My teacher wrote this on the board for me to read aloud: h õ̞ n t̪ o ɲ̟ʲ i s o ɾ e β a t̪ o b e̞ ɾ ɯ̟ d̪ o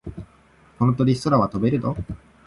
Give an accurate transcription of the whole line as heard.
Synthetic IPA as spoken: h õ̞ n t̪ o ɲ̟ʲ i s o ɾ a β a t̪ o b e̞ ɾ ɯ̟ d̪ o